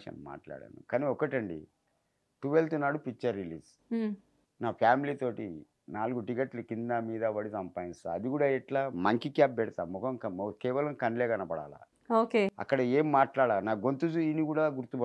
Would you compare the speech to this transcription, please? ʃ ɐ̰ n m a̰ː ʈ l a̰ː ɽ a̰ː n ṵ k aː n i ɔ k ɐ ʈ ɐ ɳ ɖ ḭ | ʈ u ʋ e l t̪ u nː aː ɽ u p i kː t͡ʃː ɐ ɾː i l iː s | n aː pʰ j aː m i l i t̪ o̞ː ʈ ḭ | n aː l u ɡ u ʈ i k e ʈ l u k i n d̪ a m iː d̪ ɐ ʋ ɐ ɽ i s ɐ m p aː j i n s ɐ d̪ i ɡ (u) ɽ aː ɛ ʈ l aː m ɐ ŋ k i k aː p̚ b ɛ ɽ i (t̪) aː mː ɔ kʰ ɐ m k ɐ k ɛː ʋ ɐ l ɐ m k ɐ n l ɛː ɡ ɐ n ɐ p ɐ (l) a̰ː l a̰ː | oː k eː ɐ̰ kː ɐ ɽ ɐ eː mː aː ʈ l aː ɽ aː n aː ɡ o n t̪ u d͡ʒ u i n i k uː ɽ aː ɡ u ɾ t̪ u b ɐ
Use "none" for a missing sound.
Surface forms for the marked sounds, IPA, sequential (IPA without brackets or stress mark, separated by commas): uː, t̪, ɽ